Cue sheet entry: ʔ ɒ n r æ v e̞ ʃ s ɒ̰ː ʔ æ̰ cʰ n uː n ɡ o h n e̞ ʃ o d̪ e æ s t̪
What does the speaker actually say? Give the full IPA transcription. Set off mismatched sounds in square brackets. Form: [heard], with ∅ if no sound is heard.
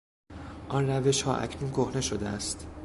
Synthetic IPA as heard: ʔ ɒ n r æ v e̞ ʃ [h] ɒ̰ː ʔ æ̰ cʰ n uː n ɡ o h n e̞ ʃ o d̪ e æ s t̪